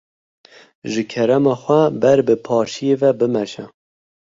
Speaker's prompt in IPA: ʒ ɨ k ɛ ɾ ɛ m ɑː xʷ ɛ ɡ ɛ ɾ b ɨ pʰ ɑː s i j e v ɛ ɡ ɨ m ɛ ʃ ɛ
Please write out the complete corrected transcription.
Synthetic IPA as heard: ʒ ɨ kʰ ɛ ɾ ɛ m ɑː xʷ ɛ b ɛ ɾ b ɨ pʰ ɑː ʃ i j e v ɛ b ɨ m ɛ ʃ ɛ